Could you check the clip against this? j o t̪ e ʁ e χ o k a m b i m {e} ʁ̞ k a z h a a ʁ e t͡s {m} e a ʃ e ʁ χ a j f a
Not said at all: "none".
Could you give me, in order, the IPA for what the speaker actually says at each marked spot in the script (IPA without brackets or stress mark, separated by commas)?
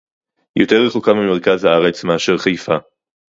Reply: e, m